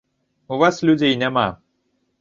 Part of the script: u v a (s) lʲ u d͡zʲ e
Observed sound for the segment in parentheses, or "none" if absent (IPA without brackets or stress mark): s